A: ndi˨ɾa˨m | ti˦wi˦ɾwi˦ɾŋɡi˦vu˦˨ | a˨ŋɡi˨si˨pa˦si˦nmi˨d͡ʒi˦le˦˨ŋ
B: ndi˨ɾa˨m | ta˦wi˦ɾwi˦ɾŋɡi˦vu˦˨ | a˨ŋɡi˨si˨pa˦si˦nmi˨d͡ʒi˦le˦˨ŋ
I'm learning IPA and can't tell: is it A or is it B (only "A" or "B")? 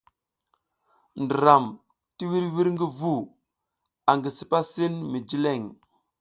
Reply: A